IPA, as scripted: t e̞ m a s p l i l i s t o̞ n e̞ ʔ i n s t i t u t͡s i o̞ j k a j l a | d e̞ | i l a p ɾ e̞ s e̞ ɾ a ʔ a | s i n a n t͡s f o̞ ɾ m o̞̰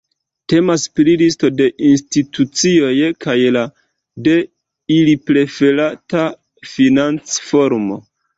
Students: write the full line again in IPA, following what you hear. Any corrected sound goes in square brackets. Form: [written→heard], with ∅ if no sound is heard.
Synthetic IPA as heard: t e̞ m a s p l i l i s t o̞ [n→d] e̞ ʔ i n s t i t u t͡s i o̞ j k a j l a | d e̞ | i l [a→i] p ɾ e̞ [s→f] e̞ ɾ a [ʔ→t] a | [s→f] i n a n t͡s f o̞ ɾ m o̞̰